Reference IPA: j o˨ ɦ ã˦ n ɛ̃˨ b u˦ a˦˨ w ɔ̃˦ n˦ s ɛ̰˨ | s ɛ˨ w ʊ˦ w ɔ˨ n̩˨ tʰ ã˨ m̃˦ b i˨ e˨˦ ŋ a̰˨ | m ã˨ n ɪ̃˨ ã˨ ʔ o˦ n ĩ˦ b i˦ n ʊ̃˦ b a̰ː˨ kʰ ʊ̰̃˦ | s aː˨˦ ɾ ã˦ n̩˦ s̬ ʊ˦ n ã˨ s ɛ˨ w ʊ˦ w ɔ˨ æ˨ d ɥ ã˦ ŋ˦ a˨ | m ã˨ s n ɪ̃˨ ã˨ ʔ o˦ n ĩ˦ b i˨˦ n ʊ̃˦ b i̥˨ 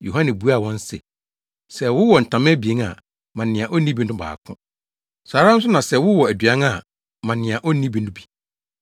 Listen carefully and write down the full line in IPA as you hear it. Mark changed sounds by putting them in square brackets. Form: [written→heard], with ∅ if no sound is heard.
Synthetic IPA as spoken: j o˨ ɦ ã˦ n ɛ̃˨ b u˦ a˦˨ w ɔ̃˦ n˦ s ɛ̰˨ | s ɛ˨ w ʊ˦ w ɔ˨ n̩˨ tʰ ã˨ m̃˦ b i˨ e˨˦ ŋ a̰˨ | m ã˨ n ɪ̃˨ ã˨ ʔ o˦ n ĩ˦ b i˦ n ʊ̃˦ b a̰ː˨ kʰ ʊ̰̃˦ | s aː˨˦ ɾ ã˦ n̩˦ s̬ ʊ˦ n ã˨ s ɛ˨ w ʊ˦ w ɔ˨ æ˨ d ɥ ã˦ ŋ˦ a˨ | m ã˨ [s→∅] n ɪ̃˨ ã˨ ʔ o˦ n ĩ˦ b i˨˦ n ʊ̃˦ b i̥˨

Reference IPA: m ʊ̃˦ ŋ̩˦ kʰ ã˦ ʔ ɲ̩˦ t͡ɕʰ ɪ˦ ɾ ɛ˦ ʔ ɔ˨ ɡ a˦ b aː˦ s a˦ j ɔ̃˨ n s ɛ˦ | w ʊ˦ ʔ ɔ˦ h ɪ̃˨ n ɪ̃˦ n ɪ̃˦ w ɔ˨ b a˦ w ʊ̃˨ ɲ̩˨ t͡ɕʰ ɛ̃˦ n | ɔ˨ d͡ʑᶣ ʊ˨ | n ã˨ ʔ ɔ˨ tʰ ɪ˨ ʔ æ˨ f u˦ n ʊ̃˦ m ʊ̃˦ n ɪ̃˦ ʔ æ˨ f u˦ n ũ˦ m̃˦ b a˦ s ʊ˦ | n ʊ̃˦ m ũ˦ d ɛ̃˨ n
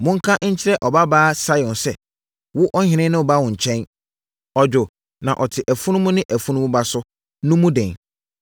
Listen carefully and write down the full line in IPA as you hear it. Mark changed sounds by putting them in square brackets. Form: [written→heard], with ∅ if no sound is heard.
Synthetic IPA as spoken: m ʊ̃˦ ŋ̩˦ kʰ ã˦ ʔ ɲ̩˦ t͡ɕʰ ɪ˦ ɾ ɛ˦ ʔ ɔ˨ [ɡ→b] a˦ b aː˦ s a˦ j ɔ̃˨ n s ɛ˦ | w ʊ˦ ʔ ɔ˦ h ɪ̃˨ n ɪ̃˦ n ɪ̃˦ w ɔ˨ b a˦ w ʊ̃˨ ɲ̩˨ t͡ɕʰ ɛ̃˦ n | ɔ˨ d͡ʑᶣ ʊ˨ | n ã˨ ʔ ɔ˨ tʰ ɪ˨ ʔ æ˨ f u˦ n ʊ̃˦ m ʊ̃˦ n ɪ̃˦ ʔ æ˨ f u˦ n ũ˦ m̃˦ b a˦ s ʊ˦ | n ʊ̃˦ m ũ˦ d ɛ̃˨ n

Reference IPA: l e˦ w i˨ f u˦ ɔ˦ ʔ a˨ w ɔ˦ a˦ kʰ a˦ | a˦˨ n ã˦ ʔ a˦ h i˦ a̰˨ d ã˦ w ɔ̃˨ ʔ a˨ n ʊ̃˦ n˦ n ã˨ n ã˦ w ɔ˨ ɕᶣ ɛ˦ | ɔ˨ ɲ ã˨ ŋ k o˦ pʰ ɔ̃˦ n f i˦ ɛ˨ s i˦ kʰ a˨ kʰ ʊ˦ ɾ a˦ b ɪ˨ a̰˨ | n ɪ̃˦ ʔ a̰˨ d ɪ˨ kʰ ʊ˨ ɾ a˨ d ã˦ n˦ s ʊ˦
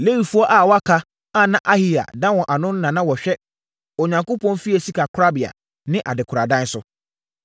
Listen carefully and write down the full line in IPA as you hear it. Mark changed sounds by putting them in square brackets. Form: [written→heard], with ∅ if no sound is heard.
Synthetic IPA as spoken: l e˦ w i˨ f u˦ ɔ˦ ʔ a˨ w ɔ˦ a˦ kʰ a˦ | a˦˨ n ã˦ ʔ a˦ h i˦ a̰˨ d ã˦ w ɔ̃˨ ʔ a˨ n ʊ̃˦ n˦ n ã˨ n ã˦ w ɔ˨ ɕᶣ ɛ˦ | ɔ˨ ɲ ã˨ ŋ k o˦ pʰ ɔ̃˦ n f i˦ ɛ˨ s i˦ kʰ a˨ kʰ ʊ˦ ɾ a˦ b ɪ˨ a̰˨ | n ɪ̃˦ ʔ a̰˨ d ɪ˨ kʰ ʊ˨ ɾ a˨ d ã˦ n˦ s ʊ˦

